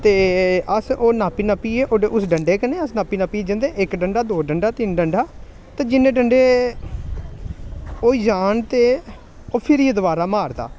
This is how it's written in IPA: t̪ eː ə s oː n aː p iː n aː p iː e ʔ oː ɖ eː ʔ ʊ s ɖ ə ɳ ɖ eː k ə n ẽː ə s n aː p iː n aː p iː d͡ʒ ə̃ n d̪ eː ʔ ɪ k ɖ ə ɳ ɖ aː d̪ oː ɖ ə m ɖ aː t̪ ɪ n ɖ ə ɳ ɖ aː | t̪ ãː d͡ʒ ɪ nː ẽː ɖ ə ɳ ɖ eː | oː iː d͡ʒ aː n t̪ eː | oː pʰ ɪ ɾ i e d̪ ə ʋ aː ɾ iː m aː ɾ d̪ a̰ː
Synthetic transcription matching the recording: t̪ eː ə s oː n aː p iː n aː p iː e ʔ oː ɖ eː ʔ ʊ s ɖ ə ɳ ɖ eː k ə n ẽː ə s n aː p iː n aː p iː d͡ʒ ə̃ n d̪ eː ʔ ɪ k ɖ ə ɳ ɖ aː d̪ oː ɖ ə ɳ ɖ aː t̪ ɪ n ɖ ə ɳ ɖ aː | t̪ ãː d͡ʒ ɪ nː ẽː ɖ ə ɳ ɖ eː | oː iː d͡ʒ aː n t̪ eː | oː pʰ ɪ ɾ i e d̪ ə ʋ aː ɾ aː m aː ɾ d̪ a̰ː